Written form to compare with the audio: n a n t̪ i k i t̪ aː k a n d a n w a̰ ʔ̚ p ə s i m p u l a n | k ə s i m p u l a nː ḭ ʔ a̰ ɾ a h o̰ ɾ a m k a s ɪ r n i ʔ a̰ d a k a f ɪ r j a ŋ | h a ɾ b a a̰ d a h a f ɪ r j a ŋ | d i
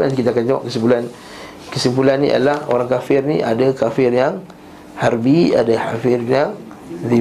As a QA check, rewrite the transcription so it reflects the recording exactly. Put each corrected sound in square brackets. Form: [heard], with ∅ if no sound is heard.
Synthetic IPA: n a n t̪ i k i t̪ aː k a n [d͡ʒ] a [∅] w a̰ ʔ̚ [k] ə s i m p u l a n | k ə s i m p u l a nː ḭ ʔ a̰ [l] a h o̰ ɾ a [ŋ] k a [f] ɪ r n i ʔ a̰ d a k a f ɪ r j a ŋ | h a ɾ b [i] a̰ d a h a f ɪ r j a ŋ | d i